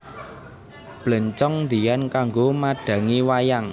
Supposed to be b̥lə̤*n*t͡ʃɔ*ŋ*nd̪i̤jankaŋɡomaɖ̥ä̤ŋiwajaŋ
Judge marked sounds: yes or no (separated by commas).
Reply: no, yes